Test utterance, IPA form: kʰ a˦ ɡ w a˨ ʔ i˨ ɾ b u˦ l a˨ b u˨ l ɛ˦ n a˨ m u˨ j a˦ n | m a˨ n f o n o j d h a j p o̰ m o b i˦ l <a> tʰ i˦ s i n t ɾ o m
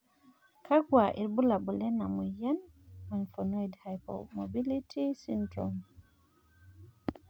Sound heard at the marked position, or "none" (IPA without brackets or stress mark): i